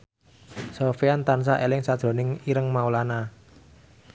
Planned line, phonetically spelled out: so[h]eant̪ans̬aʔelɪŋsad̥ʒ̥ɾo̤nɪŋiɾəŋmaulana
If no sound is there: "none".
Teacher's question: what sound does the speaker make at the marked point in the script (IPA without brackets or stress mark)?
f